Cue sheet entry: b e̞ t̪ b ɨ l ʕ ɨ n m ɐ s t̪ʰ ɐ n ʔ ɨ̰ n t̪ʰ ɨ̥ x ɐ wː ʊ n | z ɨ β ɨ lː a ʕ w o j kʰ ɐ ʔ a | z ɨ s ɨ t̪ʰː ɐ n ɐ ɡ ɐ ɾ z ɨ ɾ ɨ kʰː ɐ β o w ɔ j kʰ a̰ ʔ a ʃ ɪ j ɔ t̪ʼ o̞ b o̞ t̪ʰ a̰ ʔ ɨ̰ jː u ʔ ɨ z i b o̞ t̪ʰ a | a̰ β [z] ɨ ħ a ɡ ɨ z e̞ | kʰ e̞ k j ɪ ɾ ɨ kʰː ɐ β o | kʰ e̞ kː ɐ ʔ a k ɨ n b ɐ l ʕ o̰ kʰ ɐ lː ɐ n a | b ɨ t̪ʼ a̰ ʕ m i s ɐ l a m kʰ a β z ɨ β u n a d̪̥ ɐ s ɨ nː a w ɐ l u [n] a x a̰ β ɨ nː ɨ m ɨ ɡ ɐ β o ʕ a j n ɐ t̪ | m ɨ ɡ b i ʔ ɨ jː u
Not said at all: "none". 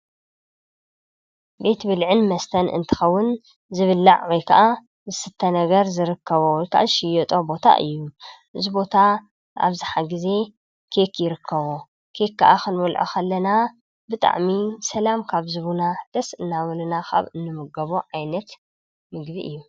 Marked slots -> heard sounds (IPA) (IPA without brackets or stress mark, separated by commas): z, n